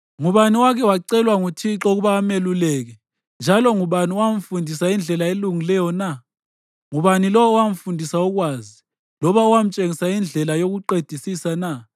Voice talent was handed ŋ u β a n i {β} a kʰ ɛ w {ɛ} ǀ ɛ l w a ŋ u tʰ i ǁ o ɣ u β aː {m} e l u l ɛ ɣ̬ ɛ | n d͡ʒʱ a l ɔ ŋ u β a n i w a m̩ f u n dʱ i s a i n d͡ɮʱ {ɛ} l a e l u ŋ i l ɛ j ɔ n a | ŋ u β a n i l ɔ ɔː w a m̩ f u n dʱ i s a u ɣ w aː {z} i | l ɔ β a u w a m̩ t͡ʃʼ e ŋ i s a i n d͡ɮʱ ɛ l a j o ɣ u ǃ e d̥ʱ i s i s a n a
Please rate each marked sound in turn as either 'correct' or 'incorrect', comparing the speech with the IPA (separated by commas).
incorrect, incorrect, correct, correct, correct